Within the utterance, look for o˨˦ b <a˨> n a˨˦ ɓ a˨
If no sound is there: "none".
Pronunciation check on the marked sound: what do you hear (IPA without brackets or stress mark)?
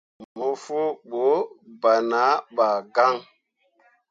a˨